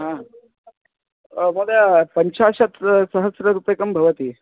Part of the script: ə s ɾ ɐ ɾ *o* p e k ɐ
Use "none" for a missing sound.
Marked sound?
u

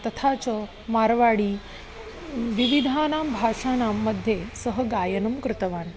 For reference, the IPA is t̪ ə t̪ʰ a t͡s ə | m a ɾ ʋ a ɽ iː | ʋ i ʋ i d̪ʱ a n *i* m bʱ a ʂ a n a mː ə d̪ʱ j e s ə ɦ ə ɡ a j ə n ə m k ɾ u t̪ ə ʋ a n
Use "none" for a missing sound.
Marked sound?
a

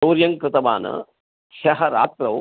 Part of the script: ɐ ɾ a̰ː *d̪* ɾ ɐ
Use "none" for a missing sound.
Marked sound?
t̪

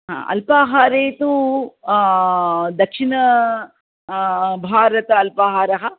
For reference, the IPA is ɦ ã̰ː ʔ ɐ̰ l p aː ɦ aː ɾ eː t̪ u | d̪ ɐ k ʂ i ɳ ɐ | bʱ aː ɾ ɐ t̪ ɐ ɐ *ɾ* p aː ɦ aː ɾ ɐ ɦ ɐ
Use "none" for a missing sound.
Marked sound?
l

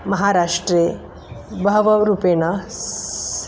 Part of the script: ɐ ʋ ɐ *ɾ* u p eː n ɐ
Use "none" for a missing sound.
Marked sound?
ɾ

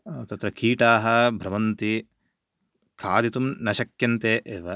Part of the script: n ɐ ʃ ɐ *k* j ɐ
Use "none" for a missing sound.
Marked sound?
k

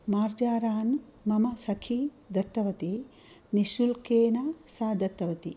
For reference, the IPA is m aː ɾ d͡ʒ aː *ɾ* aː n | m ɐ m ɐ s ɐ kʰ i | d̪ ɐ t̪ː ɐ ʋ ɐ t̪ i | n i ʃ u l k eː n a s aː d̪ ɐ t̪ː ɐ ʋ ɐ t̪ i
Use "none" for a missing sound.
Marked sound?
ɾ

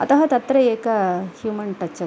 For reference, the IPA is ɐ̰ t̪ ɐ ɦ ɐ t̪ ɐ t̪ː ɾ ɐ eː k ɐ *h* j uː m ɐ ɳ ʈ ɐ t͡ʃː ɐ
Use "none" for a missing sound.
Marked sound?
h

